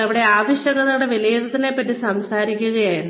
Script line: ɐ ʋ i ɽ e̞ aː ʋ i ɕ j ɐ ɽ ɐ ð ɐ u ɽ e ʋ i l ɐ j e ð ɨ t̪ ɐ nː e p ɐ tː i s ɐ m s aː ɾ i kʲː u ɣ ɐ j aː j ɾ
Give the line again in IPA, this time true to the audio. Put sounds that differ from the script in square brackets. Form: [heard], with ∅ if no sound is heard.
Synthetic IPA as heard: ɐ ʋ i ɽ e̞ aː ʋ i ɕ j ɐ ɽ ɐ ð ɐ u ɽ e ʋ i l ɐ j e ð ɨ t̪ ɐ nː e p ɐ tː i s ɐ m s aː ɾ i kʲː u ɣ ɐ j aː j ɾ